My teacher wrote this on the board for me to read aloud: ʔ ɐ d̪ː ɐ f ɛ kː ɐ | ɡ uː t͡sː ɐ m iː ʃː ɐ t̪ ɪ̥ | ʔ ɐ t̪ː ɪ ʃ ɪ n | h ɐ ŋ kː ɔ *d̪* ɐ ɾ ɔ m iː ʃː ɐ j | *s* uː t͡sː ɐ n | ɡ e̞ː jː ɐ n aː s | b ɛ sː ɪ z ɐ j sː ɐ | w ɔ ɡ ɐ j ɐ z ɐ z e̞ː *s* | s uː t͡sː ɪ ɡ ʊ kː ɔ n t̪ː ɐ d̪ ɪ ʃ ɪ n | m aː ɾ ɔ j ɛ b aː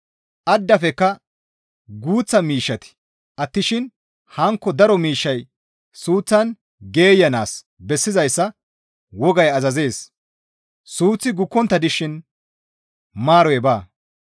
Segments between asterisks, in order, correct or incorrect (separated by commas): correct, correct, correct